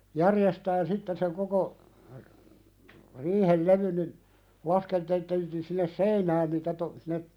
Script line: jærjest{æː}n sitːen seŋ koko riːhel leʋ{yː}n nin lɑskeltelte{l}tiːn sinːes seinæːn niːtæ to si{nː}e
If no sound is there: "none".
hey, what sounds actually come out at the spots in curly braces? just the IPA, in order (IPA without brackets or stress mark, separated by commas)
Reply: æː, y, l, nː